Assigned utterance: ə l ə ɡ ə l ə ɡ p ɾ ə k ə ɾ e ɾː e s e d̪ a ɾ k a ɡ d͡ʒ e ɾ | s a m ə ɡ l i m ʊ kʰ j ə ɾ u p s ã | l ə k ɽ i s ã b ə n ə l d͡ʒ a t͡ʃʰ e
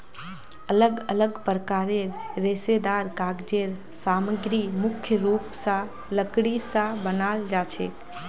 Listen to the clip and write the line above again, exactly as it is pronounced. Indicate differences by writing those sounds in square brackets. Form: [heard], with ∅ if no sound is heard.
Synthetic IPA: ə l ə ɡ ə l ə ɡ p ɾ ə k [a] ɾ e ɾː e s e d̪ a ɾ k a ɡ d͡ʒ e ɾ | s a m ə ɡ [ɾ] i m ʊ kʰ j ə ɾ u p s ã | l ə k ɽ i s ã b ə n [a] l d͡ʒ a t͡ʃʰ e